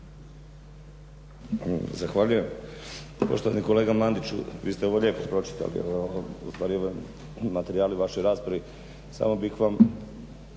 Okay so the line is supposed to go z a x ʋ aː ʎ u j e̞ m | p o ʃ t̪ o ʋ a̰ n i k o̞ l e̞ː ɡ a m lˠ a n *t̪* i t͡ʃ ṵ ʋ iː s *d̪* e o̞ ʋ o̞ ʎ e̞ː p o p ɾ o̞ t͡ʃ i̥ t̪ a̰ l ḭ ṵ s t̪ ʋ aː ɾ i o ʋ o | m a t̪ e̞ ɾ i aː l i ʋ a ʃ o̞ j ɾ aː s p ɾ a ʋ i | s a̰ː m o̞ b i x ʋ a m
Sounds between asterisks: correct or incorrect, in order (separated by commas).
incorrect, incorrect